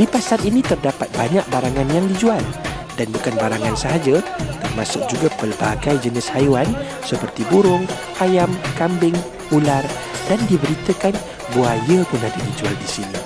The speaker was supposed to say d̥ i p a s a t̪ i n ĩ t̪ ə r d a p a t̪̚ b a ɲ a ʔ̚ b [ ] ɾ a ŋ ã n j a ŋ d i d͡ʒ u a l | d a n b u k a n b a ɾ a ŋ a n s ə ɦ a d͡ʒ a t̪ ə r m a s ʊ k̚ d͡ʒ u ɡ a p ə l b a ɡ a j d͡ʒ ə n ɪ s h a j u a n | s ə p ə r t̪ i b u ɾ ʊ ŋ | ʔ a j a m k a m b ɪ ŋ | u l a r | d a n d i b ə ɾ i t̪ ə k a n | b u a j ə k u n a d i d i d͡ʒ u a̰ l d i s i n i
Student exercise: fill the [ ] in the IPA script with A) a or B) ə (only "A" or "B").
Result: A